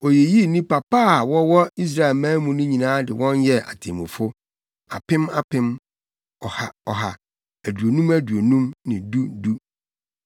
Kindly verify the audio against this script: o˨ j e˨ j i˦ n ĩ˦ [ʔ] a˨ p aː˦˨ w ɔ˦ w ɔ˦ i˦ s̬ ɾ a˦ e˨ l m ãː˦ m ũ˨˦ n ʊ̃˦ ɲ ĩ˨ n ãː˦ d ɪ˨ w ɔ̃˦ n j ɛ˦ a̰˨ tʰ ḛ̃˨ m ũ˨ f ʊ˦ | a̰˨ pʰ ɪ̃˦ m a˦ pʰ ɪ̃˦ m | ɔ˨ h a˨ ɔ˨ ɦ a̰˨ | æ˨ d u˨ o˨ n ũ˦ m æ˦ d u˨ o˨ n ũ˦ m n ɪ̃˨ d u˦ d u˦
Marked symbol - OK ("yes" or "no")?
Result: no